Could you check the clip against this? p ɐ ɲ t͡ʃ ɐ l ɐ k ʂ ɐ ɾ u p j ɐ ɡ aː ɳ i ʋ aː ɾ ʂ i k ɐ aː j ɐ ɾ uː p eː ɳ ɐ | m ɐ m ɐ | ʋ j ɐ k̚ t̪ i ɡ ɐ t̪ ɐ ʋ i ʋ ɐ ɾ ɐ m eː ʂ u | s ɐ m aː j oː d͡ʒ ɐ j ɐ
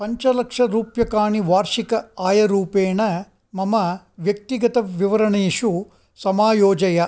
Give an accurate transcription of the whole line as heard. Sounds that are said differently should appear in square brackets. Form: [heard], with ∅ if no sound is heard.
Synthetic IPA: p ɐ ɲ t͡ʃ ɐ l ɐ k ʂ ɐ ɾ [uː] p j ɐ [k] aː ɳ i ʋ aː ɾ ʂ i k ɐ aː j ɐ ɾ uː p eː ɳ ɐ | m ɐ m ɐ | ʋ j ɐ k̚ t̪ i ɡ ɐ t̪ ɐ ʋ i ʋ ɐ ɾ ɐ [ɳ] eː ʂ u | s ɐ m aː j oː d͡ʒ ɐ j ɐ